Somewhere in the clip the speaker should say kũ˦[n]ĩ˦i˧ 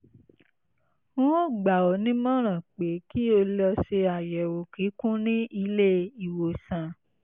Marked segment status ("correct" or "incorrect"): correct